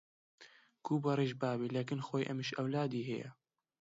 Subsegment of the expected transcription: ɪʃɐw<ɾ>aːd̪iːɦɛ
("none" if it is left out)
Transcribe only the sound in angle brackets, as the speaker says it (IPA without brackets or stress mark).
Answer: l